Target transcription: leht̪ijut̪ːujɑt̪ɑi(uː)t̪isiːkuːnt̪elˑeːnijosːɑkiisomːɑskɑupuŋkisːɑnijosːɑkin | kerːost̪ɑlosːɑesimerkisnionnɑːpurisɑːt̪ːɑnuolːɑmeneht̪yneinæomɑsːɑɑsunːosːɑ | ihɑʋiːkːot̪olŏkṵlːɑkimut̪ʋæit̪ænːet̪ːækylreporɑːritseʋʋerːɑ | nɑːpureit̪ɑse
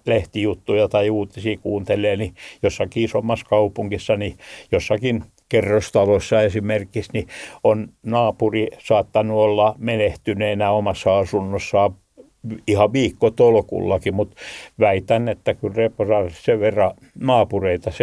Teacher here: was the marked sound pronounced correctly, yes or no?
yes